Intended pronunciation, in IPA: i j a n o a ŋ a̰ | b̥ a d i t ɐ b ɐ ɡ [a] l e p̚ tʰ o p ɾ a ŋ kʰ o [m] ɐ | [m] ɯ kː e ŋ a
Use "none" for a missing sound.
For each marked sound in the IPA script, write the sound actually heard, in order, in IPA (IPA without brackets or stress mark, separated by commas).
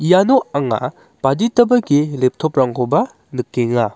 i, b, n